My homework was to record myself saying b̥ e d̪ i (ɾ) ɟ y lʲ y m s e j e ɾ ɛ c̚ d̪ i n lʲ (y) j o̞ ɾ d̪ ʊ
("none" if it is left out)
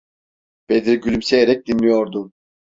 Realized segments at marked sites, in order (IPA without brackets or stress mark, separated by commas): ɾ, i